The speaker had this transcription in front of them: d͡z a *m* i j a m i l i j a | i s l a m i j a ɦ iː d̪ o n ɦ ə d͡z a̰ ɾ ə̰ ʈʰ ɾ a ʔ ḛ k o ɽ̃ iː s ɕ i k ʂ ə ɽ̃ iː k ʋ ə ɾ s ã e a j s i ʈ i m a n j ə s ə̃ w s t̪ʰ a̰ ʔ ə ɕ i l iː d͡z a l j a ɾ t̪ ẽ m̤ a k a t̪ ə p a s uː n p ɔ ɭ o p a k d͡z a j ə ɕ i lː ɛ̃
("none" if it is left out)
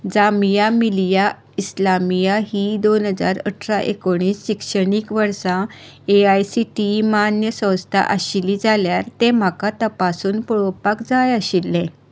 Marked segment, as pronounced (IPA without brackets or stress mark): m